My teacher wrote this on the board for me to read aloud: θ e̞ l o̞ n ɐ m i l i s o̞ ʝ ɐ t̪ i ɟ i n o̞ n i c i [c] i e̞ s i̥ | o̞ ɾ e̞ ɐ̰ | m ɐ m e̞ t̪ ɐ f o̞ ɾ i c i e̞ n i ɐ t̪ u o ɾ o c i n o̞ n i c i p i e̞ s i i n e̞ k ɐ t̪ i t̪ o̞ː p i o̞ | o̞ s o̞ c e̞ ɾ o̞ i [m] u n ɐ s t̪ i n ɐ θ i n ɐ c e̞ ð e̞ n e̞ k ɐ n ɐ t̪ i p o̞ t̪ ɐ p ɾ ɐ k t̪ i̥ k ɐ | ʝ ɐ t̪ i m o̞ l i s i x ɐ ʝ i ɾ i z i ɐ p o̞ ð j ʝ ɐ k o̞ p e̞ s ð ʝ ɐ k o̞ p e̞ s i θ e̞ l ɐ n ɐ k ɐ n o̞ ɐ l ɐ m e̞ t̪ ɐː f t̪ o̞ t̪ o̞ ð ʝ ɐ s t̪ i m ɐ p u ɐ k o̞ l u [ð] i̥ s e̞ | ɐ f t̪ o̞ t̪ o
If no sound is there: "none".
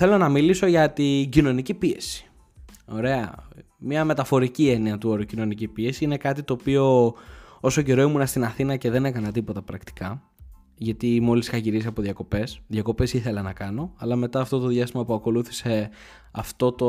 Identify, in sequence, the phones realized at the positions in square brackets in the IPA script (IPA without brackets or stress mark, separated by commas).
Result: p, m, θ